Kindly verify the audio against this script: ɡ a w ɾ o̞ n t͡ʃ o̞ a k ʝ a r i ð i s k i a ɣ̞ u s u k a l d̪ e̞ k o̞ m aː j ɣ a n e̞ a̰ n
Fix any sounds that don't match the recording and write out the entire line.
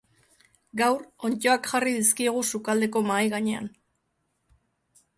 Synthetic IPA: ɡ a w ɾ o̞ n t͡ʃ o̞ a k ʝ a r i ð i s k i e ɣ̞ u s u k a l d̪ e̞ k o̞ m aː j ɣ a ɲ e̞ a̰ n